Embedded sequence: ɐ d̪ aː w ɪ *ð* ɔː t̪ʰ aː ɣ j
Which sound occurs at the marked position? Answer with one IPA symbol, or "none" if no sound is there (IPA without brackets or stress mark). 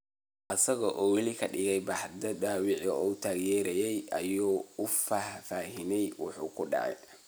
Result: ʕ